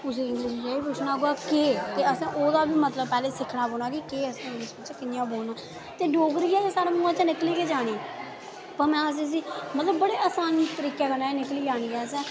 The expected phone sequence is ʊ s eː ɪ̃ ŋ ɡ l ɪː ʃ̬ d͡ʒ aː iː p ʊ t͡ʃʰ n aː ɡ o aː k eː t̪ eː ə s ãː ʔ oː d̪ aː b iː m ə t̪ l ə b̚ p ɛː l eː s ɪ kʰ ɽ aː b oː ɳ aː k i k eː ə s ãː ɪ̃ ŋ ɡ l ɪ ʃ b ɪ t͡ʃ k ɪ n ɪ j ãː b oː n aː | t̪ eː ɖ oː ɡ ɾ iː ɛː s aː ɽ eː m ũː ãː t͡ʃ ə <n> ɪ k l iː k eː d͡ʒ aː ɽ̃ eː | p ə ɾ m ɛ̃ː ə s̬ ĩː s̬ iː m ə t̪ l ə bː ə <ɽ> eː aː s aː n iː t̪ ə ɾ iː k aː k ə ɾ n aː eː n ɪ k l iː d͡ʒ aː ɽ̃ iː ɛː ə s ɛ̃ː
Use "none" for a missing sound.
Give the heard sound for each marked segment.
n, ɽ

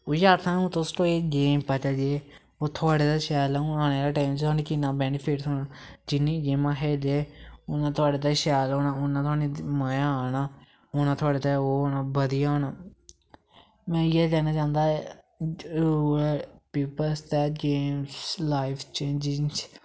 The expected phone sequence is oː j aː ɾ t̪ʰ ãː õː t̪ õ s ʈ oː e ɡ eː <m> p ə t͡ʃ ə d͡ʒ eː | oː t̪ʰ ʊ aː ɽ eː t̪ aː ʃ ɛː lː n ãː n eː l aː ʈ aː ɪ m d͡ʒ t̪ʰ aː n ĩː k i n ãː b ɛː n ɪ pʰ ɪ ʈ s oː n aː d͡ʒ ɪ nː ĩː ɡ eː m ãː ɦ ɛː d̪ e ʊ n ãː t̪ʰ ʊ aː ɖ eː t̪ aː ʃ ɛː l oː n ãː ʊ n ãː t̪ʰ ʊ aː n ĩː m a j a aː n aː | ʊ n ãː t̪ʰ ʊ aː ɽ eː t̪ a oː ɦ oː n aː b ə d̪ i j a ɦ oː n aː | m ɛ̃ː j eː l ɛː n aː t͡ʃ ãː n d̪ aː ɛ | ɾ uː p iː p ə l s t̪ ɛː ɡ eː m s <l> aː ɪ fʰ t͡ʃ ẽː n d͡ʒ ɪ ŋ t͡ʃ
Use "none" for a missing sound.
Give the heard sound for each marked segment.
m, l

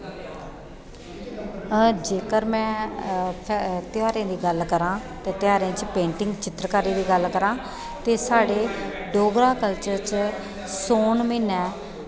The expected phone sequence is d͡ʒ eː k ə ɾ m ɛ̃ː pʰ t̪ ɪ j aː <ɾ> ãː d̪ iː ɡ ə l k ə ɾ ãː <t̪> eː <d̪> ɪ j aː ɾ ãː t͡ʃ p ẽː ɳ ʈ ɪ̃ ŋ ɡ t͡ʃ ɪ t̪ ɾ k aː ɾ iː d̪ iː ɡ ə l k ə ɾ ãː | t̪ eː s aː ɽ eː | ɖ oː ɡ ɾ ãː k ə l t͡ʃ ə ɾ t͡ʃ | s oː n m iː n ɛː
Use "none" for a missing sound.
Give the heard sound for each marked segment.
ɾ, t̪, t̪

